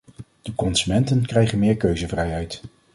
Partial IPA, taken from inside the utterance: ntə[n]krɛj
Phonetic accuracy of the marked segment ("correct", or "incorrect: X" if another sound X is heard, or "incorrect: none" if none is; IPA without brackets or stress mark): correct